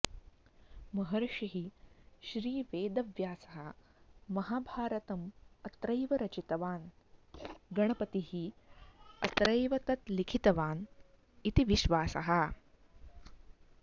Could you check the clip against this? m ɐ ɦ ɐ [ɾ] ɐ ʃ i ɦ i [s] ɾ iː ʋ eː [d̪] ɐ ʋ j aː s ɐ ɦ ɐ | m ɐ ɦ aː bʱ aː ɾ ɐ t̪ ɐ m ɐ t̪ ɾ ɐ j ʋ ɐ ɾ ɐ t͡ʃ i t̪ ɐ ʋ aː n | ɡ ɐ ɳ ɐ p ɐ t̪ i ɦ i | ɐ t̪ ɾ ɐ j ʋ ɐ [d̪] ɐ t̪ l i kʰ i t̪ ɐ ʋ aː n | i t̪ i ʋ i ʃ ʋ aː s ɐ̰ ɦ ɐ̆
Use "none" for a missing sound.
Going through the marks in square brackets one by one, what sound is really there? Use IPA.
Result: ɾ, ʃ, d̪, t̪

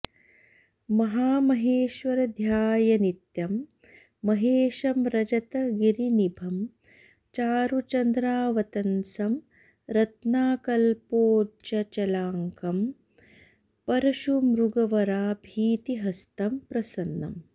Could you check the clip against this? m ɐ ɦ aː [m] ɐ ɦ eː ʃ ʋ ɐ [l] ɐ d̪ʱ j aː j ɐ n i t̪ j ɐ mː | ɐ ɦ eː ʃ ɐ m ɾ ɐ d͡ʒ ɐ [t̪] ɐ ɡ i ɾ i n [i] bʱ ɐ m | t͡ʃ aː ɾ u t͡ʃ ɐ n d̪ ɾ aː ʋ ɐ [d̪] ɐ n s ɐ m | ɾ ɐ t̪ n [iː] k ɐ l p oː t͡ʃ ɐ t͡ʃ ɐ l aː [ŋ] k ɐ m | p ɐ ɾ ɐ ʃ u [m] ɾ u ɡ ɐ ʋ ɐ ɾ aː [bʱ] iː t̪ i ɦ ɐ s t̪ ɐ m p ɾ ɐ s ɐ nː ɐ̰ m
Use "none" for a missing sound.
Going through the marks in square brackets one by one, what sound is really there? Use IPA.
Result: m, ɾ, t̪, i, t̪, aː, ŋ, m, bʱ

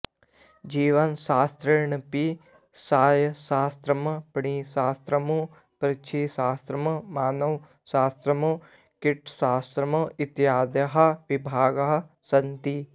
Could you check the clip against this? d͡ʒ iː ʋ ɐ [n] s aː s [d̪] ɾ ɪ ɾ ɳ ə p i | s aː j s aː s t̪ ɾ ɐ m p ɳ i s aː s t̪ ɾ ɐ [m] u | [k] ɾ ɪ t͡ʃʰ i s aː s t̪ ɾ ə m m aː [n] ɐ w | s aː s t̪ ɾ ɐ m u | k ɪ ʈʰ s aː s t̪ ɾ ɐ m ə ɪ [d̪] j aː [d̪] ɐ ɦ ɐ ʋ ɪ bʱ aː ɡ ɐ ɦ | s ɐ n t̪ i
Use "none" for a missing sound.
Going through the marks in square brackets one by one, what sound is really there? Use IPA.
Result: n, t̪, m, p, n, t̪, d̪

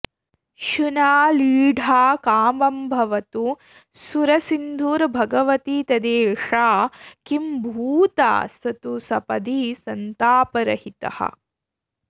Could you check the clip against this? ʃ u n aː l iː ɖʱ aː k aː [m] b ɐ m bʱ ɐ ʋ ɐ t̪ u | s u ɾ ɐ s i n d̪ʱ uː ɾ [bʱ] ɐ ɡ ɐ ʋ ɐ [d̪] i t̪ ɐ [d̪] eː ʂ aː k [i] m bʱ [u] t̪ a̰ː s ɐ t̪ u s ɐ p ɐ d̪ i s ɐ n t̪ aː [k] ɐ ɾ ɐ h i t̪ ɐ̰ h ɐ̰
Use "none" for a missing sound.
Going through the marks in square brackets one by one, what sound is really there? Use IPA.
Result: m, bʱ, t̪, d̪, i, uː, p

